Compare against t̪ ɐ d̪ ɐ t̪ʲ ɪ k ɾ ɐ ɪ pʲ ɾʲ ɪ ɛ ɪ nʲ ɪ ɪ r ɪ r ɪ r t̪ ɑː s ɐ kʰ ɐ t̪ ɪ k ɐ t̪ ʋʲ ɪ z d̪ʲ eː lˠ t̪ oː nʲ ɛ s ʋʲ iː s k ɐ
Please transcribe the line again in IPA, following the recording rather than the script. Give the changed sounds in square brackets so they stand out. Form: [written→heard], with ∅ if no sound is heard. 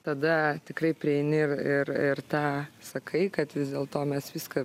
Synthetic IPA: t̪ ɐ d̪ ɐ t̪ʲ ɪ k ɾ ɐ ɪ pʲ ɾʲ ɪ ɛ ɪ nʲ ɪ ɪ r ɪ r ɪ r t̪ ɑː s ɐ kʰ ɐ [t̪→∅] ɪ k ɐ t̪ ʋʲ ɪ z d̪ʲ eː lˠ t̪ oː [nʲ→mʲ] ɛ s ʋʲ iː s k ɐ